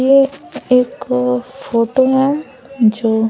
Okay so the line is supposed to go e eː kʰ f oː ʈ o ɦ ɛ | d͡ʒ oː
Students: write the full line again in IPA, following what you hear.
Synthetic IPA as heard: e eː k f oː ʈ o ɦ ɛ | d͡ʒ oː